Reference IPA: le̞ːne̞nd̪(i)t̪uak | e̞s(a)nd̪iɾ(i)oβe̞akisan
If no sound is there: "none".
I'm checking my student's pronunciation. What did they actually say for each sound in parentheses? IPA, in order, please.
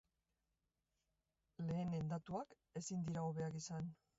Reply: a, i, a

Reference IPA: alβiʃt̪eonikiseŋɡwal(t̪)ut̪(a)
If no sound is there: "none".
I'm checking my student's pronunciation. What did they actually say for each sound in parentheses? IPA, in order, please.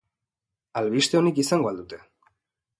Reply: d̪, e

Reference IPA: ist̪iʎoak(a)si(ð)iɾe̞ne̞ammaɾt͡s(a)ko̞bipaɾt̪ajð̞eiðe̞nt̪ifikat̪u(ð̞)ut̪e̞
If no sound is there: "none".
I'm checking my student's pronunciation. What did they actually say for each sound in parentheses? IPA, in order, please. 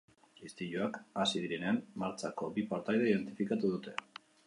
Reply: a, ð, a, ð̞

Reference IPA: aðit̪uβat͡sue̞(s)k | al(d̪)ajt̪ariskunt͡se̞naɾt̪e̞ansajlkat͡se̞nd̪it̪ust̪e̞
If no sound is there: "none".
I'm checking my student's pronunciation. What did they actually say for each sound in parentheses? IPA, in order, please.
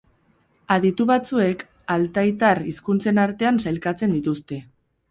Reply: none, t̪

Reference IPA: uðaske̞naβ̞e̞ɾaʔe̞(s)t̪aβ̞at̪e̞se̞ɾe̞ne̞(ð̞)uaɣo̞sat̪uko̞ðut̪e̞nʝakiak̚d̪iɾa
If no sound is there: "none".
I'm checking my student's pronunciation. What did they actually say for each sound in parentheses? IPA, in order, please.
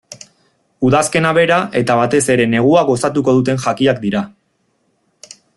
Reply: none, ɣ̞

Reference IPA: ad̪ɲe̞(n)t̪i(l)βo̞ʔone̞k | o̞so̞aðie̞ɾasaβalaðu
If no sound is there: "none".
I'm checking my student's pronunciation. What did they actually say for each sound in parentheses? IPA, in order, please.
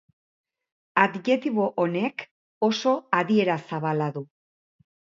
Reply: none, none

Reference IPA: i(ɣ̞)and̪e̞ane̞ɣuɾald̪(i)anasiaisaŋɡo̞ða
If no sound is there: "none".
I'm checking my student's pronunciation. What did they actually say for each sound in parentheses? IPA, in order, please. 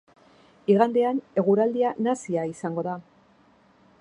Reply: ɣ̞, i

